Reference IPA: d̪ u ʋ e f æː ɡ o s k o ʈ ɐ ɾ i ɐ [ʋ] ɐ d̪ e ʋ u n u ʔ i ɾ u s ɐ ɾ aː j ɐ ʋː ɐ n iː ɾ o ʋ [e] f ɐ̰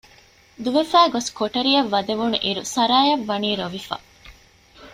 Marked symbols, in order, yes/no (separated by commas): no, no